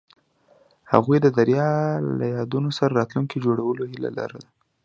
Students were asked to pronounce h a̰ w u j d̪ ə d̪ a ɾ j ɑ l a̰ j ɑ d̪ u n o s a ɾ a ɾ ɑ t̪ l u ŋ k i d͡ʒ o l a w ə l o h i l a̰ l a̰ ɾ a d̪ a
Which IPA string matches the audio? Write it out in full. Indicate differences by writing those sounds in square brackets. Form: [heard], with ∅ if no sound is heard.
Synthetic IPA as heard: h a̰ [ɣ] u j d̪ ə d̪ a ɾ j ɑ l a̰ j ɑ d̪ u n o s a ɾ a ɾ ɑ t̪ l u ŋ k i d͡ʒ o [ɽ] a w ə l o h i l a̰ l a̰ ɾ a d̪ a